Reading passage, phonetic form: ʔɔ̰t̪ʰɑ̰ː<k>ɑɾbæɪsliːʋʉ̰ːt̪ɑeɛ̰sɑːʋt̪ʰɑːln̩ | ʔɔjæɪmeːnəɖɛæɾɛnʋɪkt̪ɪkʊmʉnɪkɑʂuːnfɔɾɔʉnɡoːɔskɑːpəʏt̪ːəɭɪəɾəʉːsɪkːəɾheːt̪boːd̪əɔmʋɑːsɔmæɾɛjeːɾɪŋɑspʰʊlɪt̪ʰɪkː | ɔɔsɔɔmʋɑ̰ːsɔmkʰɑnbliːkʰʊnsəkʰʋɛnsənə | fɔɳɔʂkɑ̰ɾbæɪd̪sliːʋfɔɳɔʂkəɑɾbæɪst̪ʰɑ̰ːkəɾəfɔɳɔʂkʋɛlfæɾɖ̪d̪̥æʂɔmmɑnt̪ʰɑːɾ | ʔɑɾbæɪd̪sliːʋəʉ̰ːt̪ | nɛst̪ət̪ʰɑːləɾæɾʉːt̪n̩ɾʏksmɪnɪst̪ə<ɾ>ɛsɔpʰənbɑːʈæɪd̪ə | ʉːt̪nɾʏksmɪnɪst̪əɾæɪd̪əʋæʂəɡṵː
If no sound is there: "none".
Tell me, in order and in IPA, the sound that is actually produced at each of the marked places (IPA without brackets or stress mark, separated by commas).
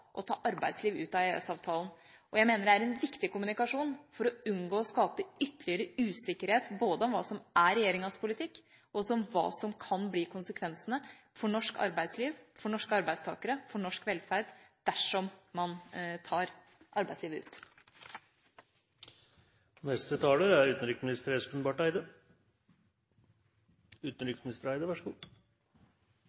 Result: ʔ, ɾ